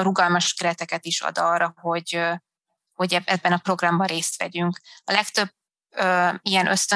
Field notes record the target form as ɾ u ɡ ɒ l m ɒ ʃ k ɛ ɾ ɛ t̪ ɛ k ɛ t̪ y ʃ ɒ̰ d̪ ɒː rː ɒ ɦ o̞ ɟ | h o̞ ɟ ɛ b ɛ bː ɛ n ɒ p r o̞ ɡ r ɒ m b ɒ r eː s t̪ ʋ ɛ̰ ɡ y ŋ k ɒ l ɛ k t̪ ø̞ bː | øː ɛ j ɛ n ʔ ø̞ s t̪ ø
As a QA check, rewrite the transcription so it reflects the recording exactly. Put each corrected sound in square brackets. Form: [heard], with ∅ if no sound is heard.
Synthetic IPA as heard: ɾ u ɡ ɒ l m ɒ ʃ k ɛ ɾ ɛ t̪ ɛ k ɛ t̪ [i] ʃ ɒ̰ d̪ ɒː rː ɒ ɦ o̞ ɟ | h o̞ ɟ ɛ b ɛ bː ɛ n ɒ p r o̞ ɡ r ɒ m b ɒ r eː s t̪ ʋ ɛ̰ [ɟ] y ŋ k ɒ l ɛ k t̪ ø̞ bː | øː [i] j ɛ n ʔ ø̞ s t̪ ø